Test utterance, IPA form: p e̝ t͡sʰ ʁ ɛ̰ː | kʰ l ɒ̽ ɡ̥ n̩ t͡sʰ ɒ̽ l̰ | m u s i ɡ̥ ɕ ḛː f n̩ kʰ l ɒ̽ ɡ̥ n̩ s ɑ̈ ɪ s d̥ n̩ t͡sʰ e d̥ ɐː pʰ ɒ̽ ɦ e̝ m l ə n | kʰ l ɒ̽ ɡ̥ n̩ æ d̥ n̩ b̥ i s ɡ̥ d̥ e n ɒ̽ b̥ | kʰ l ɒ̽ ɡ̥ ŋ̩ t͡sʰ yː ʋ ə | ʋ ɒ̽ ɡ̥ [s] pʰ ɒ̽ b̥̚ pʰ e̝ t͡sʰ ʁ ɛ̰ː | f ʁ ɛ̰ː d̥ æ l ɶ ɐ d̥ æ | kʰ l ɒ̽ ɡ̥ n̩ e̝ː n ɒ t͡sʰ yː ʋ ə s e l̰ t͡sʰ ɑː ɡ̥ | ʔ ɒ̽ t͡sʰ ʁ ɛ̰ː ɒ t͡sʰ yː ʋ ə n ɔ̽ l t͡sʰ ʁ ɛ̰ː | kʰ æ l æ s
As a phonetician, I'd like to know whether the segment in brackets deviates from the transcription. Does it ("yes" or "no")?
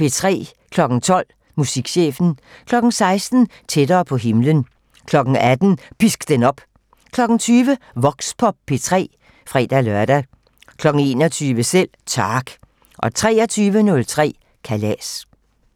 no